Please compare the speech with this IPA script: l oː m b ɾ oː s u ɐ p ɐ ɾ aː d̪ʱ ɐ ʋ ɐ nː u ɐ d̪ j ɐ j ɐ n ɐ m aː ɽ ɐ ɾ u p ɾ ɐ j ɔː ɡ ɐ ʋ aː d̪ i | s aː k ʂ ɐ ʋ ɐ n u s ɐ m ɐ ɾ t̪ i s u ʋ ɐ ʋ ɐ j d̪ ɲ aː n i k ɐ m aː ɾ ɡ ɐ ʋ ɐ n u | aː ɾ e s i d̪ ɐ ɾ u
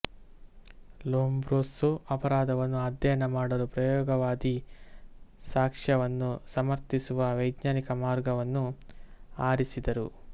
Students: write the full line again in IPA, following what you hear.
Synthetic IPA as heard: l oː m b ɾ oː s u ɐ p ɐ ɾ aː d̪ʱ ɐ ʋ ɐ nː u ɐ d̪ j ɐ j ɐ n ɐ m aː ɽ ɐ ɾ u p ɾ ɐ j ɔː ɡ ɐ ʋ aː d̪ i | s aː k ʂ ɐ ʋ ɐ nː u s ɐ m ɐ ɾ t̪ i s u ʋ ɐ ʋ ɐ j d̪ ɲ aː n i k ɐ m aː ɾ ɡ ɐ ʋ ɐ nː u | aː ɾ i s i d̪ ɐ ɾ u